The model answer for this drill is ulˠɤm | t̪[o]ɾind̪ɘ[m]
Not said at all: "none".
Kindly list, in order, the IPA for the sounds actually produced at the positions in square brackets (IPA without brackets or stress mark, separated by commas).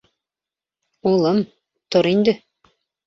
o, none